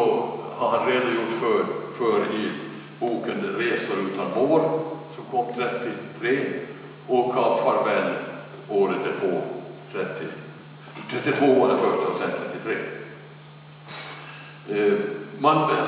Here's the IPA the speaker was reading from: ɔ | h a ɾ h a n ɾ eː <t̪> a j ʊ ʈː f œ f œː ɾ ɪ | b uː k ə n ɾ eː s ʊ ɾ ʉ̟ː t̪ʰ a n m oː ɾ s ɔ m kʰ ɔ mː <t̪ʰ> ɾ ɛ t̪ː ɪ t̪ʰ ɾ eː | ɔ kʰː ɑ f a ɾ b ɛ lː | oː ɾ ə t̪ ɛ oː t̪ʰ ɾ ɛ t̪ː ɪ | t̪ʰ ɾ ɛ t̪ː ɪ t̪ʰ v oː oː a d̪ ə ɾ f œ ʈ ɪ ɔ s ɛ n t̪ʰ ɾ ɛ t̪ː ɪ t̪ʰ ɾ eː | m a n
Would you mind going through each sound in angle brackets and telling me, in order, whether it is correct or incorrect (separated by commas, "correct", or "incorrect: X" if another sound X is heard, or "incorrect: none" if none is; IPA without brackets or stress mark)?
incorrect: d̪, correct